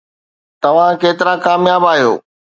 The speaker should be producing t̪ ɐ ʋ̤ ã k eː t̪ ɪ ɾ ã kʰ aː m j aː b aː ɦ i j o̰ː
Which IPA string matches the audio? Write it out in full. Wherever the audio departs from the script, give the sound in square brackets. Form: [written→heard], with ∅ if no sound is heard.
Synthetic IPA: t̪ ɐ ʋ̤ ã k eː t̪ ɪ ɾ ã [kʰ→k] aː m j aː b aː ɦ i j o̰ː